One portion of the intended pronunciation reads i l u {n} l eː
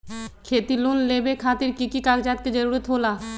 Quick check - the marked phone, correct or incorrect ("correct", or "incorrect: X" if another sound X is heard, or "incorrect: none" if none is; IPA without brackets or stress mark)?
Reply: correct